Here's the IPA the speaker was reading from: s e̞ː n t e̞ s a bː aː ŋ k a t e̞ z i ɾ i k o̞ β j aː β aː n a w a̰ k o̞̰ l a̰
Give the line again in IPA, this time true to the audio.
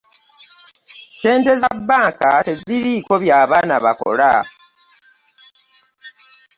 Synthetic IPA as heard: s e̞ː n t e̞ z a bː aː ŋ k a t e̞ z i ɾ i k o̞ β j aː β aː n a β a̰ k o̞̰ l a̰